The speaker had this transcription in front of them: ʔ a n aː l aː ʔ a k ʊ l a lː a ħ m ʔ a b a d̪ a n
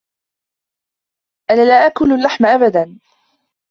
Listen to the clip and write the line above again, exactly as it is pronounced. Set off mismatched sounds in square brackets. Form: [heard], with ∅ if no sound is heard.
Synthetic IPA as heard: ʔ a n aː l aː ʔ a k ʊ l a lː a ħ m ʔ a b a d̪ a n